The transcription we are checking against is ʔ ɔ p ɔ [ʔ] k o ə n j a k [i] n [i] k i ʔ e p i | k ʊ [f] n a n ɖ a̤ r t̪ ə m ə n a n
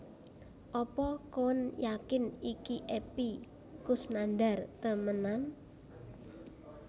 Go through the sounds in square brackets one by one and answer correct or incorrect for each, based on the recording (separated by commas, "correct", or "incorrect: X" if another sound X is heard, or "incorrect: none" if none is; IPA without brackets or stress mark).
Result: incorrect: none, incorrect: ɪ, correct, incorrect: s